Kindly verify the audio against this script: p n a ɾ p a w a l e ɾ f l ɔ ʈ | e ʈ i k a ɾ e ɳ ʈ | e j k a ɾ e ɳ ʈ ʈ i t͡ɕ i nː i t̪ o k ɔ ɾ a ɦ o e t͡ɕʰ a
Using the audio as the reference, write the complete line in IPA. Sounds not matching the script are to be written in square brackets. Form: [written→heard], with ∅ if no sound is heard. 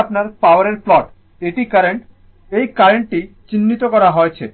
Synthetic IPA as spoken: p n a ɾ p a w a [l→ɾ] e ɾ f l ɔ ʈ | e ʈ i k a ɾ e ɳ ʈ | e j k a ɾ e ɳ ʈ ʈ i t͡ɕ i nː i t̪ o k ɔ ɾ a ɦ o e t͡ɕʰ [a→e]